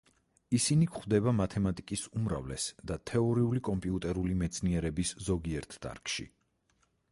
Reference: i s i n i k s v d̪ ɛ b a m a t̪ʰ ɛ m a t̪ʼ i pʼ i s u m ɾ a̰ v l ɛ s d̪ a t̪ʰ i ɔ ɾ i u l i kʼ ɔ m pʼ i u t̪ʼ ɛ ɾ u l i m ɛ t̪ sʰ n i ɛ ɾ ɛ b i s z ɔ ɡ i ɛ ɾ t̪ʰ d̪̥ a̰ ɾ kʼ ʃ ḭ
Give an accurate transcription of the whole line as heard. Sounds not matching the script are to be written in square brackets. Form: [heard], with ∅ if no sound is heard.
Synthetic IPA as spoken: i s i n i k [χ] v d̪ ɛ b a m a t̪ʰ ɛ m a t̪ʼ i [kʼ] i s u m ɾ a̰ v l ɛ s d̪ a t̪ʰ [ɛ] ɔ ɾ i u l i kʼ ɔ m pʼ i u t̪ʼ ɛ ɾ u l i m ɛ t̪ sʰ n i ɛ ɾ ɛ b i s z ɔ ɡ i ɛ ɾ t̪ʰ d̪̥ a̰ ɾ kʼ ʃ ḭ

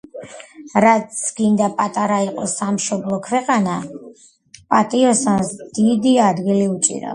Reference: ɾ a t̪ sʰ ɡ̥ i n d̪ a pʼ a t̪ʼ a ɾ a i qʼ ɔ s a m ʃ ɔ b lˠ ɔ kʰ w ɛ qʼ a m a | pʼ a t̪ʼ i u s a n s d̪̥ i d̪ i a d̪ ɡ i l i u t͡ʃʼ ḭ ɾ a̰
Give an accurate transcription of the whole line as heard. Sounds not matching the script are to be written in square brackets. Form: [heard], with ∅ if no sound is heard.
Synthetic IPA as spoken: ɾ a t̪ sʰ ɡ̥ i n d̪ a pʼ a t̪ʼ a ɾ a i qʼ ɔ s a m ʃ ɔ b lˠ ɔ kʰ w ɛ qʼ a [n] a | pʼ a t̪ʼ i [ɔ] s a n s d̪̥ i d̪ i a d̪ ɡ i l i u t͡ʃʼ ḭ ɾ a̰

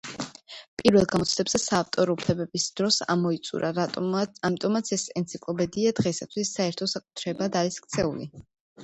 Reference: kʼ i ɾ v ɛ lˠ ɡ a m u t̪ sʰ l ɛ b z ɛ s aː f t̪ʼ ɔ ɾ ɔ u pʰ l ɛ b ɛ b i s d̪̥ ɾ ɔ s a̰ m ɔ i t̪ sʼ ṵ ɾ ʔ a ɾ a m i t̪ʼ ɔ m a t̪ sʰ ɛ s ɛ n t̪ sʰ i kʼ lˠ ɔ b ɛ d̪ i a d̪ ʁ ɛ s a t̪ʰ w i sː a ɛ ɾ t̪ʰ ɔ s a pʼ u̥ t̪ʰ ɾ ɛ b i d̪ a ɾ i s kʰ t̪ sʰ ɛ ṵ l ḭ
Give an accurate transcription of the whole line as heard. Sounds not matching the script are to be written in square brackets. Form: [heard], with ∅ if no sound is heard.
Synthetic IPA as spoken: [pʼ] i ɾ v ɛ lˠ ɡ a m [ɔ] t̪ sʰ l ɛ b z ɛ s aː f t̪ʼ ɔ ɾ ɔ u pʰ l ɛ b ɛ b i s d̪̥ ɾ ɔ s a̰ m ɔ i t̪ sʼ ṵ ɾ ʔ a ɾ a m i t̪ʼ ɔ m a t̪ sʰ ɛ s ɛ n t̪ sʰ i kʼ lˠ ɔ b ɛ d̪ i a d̪ ʁ ɛ s a t̪ʰ w i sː a ɛ ɾ t̪ʰ ɔ s a [kʼ] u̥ t̪ʰ ɾ ɛ b [a] d̪ a ɾ i s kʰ t̪ sʰ ɛ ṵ l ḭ

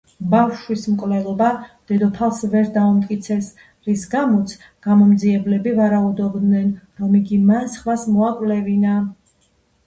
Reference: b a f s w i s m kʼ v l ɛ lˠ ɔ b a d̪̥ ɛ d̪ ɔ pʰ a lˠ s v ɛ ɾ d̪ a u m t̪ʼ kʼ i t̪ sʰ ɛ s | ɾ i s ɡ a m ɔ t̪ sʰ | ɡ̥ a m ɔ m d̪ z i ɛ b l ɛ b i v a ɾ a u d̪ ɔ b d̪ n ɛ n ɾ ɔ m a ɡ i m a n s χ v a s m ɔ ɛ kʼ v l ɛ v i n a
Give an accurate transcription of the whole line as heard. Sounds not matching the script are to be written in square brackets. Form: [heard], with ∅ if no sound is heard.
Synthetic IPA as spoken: b a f [ʃ] w i s m kʼ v l ɛ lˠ ɔ b a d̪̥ ɛ d̪ ɔ pʰ a lˠ s v ɛ ɾ d̪ a u m t̪ʼ kʼ i t̪ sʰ ɛ s | ɾ i s ɡ a m ɔ t̪ sʰ | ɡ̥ a m ɔ m d̪ z i ɛ b l ɛ b i v a ɾ a u d̪ ɔ b d̪ n ɛ n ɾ ɔ m [i] ɡ i m a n s χ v a s m ɔ [a] kʼ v l ɛ v i n a

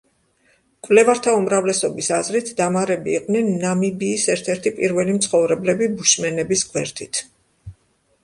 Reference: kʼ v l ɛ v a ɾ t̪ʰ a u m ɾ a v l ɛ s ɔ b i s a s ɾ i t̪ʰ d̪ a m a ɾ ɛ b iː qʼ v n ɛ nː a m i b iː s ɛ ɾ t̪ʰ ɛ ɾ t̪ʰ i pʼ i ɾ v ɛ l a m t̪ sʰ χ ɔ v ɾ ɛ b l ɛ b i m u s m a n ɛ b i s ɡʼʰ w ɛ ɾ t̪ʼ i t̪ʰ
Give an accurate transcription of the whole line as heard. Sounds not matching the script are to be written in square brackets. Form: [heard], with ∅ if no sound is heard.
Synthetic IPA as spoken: kʼ v l ɛ v a ɾ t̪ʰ a u m ɾ a v l ɛ s ɔ b i s a [z] ɾ i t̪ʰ d̪ a m a ɾ ɛ b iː qʼ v n ɛ nː a m i b iː s ɛ ɾ t̪ʰ ɛ ɾ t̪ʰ i pʼ i ɾ v ɛ l [i] m t̪ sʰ χ ɔ v ɾ ɛ b l ɛ b i [b] u [ʃ] m [ɛ] n ɛ b i s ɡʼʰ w ɛ ɾ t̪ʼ i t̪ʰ

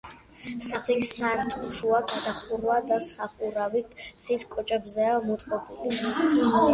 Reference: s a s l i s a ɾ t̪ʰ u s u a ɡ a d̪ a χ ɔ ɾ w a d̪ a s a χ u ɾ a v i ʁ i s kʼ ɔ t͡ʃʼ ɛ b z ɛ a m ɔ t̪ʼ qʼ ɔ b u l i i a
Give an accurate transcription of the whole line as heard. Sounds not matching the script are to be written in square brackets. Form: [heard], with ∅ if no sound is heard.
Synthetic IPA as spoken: s a [χ] l i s a ɾ t̪ʰ u [ʃ] u a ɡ a d̪ a χ [u] ɾ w a d̪ a s a χ u ɾ a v i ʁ i s kʼ ɔ t͡ʃʼ ɛ b z ɛ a m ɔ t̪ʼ qʼ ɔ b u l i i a

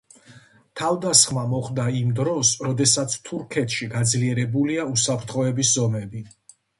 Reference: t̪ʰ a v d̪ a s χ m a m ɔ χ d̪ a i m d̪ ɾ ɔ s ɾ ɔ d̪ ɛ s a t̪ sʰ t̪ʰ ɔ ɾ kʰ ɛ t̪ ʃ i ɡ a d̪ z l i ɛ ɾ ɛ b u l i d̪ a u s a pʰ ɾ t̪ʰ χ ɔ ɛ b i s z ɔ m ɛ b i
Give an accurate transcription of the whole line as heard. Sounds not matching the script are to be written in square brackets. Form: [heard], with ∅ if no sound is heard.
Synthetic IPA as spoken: t̪ʰ a v d̪ a s χ m a m ɔ χ d̪ a i m d̪ ɾ ɔ s ɾ ɔ d̪ ɛ s a t̪ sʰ t̪ʰ [u] ɾ kʰ ɛ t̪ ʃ i ɡ a d̪ z l i ɛ ɾ ɛ b u l i [∅] a u s a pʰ ɾ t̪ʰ χ ɔ ɛ b i s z ɔ m ɛ b i

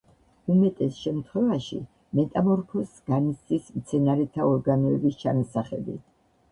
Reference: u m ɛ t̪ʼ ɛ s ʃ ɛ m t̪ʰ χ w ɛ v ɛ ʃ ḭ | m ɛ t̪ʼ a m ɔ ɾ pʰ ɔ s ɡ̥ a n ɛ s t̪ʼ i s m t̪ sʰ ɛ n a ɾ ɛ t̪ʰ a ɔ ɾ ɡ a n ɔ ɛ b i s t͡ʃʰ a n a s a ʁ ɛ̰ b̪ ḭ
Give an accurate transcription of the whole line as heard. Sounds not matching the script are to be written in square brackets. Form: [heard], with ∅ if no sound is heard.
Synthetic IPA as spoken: u m ɛ t̪ʼ ɛ s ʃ ɛ m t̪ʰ χ w ɛ v [a] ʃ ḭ | m ɛ t̪ʼ a m ɔ ɾ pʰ ɔ s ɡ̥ a n [i] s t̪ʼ i s m t̪ sʰ ɛ n a ɾ ɛ t̪ʰ a ɔ ɾ ɡ a n ɔ ɛ b i s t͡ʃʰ a n a s a [χ] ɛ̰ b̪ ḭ

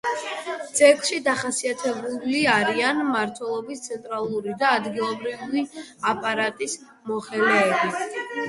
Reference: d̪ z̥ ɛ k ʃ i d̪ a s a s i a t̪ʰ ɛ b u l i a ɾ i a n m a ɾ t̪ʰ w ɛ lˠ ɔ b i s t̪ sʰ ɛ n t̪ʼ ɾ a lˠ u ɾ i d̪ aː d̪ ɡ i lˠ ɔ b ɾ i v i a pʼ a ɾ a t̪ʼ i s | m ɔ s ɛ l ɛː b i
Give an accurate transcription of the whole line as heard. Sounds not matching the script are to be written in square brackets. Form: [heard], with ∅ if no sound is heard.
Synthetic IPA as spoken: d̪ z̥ ɛ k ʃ i d̪ a [χ] a s i a t̪ʰ ɛ b u l i a ɾ i a n m a ɾ t̪ʰ w ɛ lˠ ɔ b i s t̪ sʰ ɛ n t̪ʼ ɾ a lˠ u ɾ i d̪ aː d̪ ɡ i lˠ ɔ b ɾ i v i a pʼ a ɾ a t̪ʼ i s | m ɔ [χ] ɛ l ɛː b i

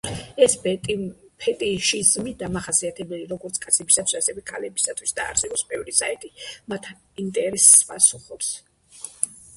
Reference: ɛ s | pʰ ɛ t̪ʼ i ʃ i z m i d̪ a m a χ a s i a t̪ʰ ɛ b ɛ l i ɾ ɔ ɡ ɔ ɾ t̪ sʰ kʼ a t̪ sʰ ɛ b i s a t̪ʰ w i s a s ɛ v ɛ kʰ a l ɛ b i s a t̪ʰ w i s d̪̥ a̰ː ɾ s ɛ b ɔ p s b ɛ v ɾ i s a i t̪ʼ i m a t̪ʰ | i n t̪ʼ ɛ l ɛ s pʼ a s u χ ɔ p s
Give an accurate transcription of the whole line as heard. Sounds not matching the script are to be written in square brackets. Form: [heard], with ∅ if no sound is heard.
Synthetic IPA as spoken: ɛ s | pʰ ɛ t̪ʼ i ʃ i z m i d̪ a m a χ a s i a t̪ʰ ɛ b ɛ l i ɾ ɔ ɡ ɔ ɾ t̪ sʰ kʼ a t̪ sʰ ɛ b i s a t̪ʰ w i s a s ɛ v ɛ kʰ a l ɛ b i s a t̪ʰ w i s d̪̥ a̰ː ɾ s ɛ b ɔ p s b ɛ v ɾ i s a i t̪ʼ i m a t̪ʰ | i n t̪ʼ ɛ [ɾ] ɛ s pʼ a s u χ ɔ p s

